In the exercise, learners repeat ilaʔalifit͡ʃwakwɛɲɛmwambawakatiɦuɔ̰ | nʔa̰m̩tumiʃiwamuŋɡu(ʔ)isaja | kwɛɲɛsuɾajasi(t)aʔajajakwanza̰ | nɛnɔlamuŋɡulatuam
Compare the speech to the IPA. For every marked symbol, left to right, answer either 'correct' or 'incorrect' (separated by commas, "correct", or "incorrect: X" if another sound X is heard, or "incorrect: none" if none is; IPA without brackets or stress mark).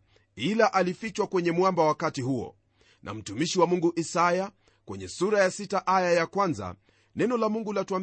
correct, correct